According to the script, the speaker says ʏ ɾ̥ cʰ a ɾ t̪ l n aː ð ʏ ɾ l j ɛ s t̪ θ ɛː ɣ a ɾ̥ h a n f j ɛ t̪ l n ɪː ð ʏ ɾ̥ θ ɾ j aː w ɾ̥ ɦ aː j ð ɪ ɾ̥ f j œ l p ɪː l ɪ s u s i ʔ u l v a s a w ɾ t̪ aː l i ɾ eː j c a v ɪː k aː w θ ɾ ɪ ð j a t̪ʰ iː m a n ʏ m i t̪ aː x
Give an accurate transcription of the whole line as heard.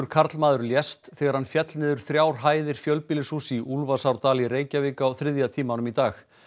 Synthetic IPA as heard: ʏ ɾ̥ kʰ a ɾ t̪ l m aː ð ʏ ɾ l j ɛ s t̪ θ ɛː ɣ a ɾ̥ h a n f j ɛ t̪ l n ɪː ð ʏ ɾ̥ θ ɾ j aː w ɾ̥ ɦ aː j ð ɪ ɾ̥ f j œ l p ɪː l ɪ s u s i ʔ u l v a s a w ɾ t̪ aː l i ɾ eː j c a v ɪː k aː w θ ɾ ɪ ð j a t̪ʰ iː m a n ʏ m i t̪ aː x

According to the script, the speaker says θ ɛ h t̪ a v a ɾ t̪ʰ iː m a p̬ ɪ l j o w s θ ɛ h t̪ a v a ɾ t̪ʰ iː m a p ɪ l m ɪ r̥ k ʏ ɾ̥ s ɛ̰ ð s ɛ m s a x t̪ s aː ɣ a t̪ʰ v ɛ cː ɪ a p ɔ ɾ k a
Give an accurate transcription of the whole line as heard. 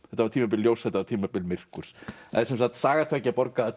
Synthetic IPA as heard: θ ɛ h t̪ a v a ɾ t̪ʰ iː m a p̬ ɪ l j o w s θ ɛ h t̪ a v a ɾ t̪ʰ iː m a p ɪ l m ɪ r̥ k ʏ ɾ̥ s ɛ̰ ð s ɛ m s a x t̪ s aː ɣ a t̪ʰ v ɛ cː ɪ a p ɔ ɾ k a

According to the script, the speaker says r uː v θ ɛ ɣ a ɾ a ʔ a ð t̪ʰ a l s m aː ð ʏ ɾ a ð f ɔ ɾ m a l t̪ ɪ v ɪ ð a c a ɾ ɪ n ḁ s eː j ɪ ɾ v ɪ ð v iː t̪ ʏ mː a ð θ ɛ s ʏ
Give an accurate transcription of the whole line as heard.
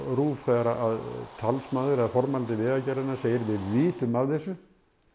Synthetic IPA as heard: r uː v θ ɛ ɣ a ɾ a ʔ a ð t̪ʰ a l s m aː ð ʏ ɾ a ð f ɔ ɾ m a l t̪ ɪ v ɪ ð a c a ɾ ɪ n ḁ s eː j ɪ ɾ v ɪ ð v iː t̪ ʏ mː a ð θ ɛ s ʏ

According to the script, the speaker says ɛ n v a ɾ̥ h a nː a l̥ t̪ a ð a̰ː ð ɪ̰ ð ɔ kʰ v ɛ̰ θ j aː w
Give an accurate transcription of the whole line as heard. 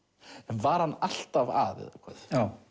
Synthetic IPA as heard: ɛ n v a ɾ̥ h a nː a l̥ t̪ a v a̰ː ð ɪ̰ ð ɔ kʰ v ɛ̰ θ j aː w

